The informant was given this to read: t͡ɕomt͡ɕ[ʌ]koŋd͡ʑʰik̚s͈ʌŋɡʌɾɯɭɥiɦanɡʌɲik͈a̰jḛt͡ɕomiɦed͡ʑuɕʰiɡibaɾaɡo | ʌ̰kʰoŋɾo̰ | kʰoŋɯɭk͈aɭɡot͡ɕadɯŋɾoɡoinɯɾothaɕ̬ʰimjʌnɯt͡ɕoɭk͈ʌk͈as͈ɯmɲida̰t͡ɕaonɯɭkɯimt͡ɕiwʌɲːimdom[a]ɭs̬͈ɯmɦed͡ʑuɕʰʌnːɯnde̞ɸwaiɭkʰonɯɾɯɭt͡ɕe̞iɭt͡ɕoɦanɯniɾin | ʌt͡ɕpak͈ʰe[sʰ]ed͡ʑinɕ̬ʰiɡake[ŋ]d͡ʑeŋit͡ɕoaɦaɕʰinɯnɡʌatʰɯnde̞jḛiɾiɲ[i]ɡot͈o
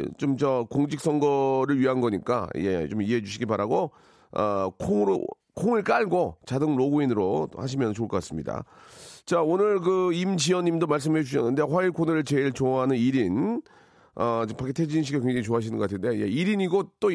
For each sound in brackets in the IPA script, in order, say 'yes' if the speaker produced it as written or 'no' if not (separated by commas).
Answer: yes, yes, no, yes, yes